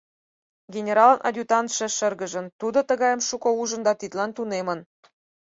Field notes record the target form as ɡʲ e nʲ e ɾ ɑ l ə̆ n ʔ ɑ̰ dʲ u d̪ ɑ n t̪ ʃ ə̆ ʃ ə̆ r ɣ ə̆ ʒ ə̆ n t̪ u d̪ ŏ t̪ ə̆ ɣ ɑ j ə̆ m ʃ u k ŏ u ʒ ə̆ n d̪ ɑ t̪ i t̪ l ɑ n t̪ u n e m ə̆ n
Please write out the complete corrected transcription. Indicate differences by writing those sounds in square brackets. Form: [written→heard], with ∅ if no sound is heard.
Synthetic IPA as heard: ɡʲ e nʲ e ɾ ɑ l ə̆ n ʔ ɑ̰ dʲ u [d̪→t̪] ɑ n t̪ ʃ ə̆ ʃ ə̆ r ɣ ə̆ ʒ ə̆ n t̪ u d̪ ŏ t̪ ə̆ ɣ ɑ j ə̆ m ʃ u k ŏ u ʒ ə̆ n d̪ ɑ t̪ i t̪ l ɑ n t̪ u n e m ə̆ n